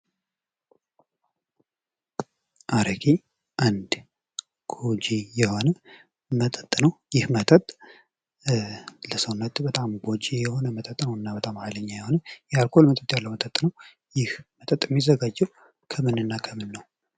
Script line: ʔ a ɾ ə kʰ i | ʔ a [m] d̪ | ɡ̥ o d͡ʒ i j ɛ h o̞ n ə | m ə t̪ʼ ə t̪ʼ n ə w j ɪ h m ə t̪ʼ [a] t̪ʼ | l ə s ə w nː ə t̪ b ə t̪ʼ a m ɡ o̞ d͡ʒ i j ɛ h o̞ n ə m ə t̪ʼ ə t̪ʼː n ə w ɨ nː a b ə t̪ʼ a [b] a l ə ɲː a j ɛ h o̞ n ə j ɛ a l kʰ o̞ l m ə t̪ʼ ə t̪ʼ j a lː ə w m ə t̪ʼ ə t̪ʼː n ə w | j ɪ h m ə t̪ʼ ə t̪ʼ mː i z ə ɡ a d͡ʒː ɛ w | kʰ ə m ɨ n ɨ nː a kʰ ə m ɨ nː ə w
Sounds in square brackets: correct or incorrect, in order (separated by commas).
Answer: incorrect, incorrect, incorrect